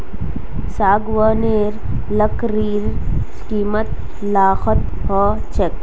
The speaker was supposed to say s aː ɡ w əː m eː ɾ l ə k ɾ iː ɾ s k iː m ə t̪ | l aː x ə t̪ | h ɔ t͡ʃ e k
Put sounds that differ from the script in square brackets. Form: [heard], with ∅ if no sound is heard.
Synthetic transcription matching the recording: s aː ɡ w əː [n] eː ɾ l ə k ɾ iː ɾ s k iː m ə t̪ | l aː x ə t̪ | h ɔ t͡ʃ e k